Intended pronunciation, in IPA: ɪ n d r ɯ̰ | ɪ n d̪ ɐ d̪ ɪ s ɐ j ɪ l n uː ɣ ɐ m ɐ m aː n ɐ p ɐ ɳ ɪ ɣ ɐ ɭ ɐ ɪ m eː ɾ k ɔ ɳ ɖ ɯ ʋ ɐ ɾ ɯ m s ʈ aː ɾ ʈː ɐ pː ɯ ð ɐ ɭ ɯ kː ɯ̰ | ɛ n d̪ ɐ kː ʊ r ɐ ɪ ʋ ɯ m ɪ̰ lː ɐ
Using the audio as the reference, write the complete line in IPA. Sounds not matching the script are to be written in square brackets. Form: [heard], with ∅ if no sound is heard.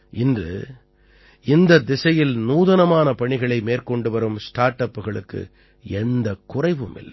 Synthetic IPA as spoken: ɪ n d r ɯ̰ | ɪ n d̪ ɐ d̪ ɪ s ɐ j ɪ l n uː [ð] ɐ [n] ɐ m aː n ɐ p ɐ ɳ ɪ ɣ ɐ ɭ ɐ ɪ m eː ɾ k ɔ ɳ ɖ ɯ ʋ ɐ ɾ ɯ m s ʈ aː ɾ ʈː ɐ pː ɯ [ɣ] ɐ ɭ ɯ kː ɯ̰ | ɛ n d̪ ɐ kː ʊ r ɐ ɪ ʋ ɯ m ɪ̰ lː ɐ